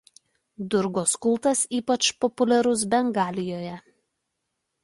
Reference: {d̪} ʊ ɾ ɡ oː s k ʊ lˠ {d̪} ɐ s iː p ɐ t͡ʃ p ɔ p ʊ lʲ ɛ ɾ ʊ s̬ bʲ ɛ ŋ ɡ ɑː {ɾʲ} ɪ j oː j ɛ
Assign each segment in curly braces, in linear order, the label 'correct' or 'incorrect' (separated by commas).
correct, incorrect, incorrect